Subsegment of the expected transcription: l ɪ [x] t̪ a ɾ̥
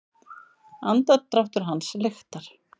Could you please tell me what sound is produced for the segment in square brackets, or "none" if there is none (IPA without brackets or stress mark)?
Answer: x